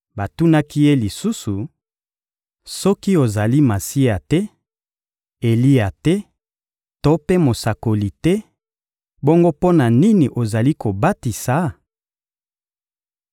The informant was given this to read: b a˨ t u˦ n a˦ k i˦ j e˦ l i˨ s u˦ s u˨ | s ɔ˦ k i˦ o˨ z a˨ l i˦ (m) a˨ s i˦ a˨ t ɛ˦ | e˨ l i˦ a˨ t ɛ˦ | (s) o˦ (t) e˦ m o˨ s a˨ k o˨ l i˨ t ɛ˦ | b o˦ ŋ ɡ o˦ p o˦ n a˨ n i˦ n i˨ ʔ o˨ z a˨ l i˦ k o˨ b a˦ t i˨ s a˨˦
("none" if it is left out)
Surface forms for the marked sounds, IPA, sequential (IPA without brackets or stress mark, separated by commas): m, t, p